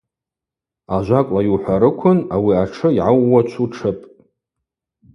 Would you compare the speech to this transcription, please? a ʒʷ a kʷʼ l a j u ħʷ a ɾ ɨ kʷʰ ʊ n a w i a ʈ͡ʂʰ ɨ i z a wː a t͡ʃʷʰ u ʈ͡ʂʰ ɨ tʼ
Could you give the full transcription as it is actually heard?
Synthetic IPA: a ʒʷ a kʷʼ l a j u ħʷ a ɾ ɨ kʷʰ ʊ n a w i a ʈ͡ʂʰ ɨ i ʕ a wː a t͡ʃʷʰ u ʈ͡ʂʰ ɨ pʼ

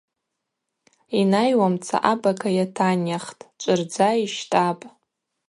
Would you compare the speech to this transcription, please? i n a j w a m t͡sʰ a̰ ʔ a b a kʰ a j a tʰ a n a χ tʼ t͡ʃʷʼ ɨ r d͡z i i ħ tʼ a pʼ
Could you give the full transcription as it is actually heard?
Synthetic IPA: i n a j w a m t͡sʰ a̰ ʔ a b a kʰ a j a tʰ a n a χ tʼ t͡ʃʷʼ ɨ r d͡z a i ʃ tʼ a pʼ

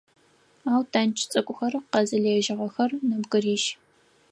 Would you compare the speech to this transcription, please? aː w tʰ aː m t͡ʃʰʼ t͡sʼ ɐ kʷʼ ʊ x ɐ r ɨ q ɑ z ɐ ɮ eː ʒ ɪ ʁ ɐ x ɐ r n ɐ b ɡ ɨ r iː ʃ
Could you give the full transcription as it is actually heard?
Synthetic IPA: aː w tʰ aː n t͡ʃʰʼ t͡sʼ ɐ kʷʼ ʊ x ɐ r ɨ q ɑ z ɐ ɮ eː ʒ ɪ ʁ ɐ x ɐ r n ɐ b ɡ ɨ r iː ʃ

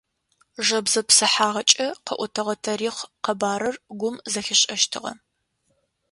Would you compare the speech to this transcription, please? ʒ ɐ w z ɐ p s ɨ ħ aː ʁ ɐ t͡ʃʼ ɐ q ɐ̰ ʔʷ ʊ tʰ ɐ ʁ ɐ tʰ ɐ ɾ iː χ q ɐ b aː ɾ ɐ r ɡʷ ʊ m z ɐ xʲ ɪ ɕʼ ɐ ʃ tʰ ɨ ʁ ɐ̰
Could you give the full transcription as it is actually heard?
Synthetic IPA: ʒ ɐ b z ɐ p s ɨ ħ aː ʁ ɐ t͡ʃʼ ɐ q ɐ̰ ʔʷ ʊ tʰ ɐ ʁ ɐ tʰ ɐ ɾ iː χ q ɐ b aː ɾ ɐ r ɡʷ ʊ m z ɐ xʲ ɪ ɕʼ ɐ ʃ tʰ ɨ ʁ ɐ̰

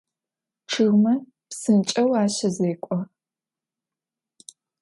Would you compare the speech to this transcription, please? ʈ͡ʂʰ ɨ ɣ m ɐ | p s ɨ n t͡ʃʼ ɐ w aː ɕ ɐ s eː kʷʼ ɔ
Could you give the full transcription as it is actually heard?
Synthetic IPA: ʈ͡ʂʰ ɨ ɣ m ɐ | p s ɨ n t͡ʃʼ ɐ w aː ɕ ɐ z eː kʷʼ ɔ

